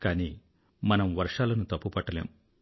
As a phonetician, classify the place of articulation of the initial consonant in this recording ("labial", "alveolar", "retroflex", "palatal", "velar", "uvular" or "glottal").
velar